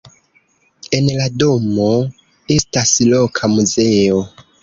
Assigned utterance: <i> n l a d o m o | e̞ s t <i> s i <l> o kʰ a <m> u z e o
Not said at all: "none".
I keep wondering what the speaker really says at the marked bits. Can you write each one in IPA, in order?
e, a, l, m

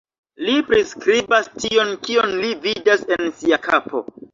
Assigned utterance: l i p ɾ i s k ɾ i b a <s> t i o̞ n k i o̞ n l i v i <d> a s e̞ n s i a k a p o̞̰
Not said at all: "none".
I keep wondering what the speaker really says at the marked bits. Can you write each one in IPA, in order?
s, d

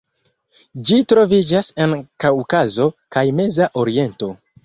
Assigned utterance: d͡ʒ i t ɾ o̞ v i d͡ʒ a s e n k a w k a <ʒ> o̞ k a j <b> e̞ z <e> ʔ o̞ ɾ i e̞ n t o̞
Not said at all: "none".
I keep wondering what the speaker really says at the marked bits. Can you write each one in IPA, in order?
z, m, a

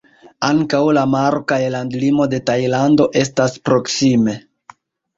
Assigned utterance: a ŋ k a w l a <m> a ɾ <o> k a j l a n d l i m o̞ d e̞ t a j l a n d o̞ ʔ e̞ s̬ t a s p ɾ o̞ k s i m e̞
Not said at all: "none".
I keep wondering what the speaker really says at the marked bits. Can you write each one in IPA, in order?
m, o

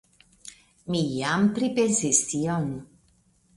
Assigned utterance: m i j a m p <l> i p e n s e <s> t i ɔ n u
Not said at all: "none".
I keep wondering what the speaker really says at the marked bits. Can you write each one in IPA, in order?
ɾ, s

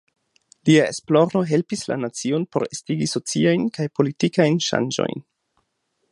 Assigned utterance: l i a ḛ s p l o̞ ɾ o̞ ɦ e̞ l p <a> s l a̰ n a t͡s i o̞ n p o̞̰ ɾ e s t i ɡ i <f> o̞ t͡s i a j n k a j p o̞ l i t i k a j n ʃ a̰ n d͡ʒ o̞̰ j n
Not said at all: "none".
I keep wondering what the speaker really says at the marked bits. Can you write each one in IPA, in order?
i, s

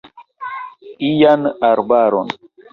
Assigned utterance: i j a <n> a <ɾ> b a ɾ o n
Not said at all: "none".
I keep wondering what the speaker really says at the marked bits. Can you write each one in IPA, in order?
n, ɾ

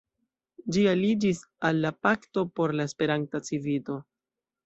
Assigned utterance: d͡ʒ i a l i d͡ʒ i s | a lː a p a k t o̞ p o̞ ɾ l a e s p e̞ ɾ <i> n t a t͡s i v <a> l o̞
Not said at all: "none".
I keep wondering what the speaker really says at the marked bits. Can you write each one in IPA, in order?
a, i

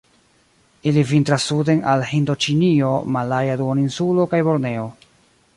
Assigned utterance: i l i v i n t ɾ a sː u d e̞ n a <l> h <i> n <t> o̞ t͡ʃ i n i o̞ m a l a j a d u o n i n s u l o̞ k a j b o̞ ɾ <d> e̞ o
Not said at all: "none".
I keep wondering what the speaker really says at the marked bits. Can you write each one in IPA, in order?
l, i, d, n

